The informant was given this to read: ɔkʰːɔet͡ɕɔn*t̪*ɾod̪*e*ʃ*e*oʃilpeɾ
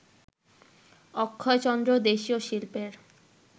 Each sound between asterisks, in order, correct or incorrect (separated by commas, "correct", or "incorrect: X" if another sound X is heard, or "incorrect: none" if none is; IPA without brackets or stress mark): incorrect: d̪, correct, incorrect: i